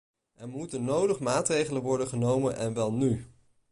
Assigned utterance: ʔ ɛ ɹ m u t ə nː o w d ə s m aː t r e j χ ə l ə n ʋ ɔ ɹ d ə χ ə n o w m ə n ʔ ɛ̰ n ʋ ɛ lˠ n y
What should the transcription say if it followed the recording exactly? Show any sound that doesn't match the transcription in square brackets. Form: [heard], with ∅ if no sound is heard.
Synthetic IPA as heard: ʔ ɛ ɹ m u t ə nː o w d ə [χ] m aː t r e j χ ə l ə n ʋ ɔ ɹ d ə χ ə n o w m ə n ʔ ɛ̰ n ʋ ɛ lˠ n y